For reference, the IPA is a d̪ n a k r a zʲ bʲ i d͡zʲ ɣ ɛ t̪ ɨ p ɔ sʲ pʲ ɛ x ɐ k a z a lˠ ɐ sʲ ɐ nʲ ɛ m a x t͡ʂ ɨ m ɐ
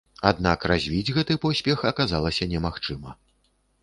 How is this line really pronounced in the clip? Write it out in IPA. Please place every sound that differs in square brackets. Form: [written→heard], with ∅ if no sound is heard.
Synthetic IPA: a d̪ n a k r a zʲ [bʲ→vʲ] i d͡zʲ ɣ ɛ t̪ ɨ p ɔ sʲ pʲ ɛ x ɐ k a z a lˠ ɐ sʲ ɐ nʲ ɛ m a x t͡ʂ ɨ m ɐ